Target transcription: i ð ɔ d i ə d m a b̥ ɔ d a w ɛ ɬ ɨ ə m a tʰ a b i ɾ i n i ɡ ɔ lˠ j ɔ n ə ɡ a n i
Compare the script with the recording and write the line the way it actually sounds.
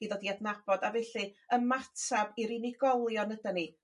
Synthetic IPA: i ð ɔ d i a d n a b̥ ɔ d a v ɛ ɬ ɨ ə m a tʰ a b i ɾ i n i ɡ ɔ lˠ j ɔ n ə d a n i

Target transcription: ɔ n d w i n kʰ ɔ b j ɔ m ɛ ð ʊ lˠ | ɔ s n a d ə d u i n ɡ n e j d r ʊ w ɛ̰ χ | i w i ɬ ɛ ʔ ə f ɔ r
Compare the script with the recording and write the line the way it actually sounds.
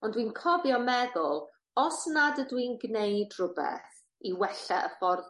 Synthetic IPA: ɔ n d w i n kʰ ɔ b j ɔ m ɛ ð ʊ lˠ | ɔ s n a d ə d w i n ɡ n e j d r ʊ b ɛ̰ θ | i w ɛ ɬ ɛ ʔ ə f ɔ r

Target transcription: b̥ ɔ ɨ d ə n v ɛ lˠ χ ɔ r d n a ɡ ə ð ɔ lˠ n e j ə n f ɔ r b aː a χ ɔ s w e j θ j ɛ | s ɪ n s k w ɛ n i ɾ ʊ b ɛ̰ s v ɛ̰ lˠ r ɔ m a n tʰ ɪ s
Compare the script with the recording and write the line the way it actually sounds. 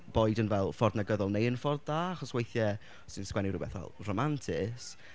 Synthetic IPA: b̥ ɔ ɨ d ə n v ɛ lˠ f ɔ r d n a ɡ ə ð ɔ lˠ n e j ə n f ɔ r d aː a χ ɔ s w e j θ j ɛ | s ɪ n s k w ɛ n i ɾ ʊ b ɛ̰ θ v ɛ̰ lˠ r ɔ m a n tʰ ɪ s

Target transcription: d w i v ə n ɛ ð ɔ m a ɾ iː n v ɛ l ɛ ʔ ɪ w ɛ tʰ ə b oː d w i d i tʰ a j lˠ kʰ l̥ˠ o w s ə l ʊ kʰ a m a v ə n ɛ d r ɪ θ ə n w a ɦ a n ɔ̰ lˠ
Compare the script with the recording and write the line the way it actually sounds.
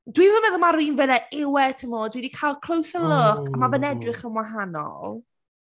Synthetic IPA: d w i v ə m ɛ ð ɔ m a ɾ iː n v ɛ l ɛ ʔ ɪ w ɛ tʰ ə m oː d w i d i kʰ a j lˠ kʰ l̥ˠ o w s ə l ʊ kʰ a m a v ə n ɛ d r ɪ χ ə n w a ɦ a n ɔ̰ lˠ

